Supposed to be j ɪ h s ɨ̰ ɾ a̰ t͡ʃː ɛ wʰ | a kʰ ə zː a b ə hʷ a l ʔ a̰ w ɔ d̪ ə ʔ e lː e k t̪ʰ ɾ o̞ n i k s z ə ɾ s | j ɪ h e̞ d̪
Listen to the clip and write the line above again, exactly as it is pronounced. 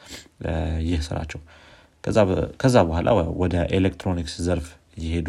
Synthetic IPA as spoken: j ɪ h s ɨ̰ ɾ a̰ t͡ʃː ɛ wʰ | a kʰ ə zː a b ə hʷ a l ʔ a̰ w ɔ d̪ ə ʔ e l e k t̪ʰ ɾ o̞ n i k s z ə ɾ f | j ɪ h e̞ d̪